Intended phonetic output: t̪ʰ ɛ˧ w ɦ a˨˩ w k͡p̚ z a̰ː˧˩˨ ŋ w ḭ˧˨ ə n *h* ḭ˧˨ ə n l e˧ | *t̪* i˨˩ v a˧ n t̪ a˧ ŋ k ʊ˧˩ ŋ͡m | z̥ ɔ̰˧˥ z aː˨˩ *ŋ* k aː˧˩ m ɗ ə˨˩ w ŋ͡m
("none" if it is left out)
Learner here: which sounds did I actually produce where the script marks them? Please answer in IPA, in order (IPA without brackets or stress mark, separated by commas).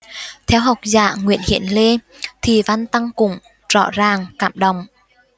h, t̪ʰ, ŋ